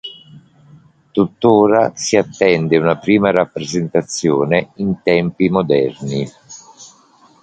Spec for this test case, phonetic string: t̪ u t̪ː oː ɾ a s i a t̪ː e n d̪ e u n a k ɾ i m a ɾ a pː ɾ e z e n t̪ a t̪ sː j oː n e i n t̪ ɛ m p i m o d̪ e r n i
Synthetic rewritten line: t̪ u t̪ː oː ɾ a s i a t̪ː ɛ n d̪ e u n a p ɾ iː m a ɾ a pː ɾ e z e n t̪ a t̪ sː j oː n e i n t̪ ɛ m p i m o d̪ ɛ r n i